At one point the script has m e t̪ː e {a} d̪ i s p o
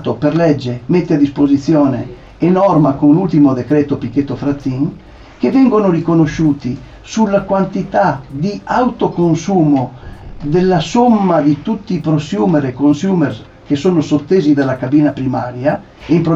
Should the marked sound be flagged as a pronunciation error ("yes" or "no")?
no